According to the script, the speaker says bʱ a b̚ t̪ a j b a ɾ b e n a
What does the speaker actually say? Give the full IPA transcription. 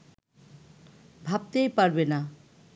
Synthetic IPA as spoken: bʱ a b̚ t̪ e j p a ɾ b e n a